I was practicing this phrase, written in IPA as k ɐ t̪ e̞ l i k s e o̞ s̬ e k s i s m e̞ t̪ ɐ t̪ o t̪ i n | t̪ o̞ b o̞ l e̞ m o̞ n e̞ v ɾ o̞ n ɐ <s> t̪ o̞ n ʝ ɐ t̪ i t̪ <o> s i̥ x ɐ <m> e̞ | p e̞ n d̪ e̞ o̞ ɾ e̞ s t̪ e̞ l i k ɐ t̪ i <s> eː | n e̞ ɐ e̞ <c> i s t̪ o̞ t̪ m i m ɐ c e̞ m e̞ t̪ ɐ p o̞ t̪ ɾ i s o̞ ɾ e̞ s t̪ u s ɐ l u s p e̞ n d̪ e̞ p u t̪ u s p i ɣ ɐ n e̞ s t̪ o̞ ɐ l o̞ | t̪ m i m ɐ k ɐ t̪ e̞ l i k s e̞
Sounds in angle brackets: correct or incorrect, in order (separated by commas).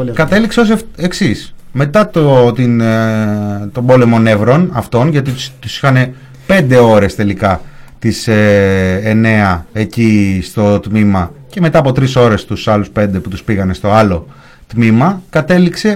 incorrect, incorrect, incorrect, correct, correct